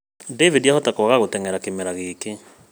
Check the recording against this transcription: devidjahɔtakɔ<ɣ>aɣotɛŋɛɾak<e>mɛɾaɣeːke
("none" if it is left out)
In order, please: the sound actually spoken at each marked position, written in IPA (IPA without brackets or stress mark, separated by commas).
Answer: ɣ, e